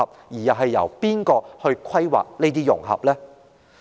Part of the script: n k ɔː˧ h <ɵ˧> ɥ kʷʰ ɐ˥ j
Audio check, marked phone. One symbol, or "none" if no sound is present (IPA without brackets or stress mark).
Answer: ɵ˧